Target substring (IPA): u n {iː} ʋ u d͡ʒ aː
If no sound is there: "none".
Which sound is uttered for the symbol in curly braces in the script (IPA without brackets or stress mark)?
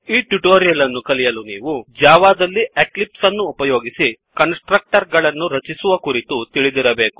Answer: iː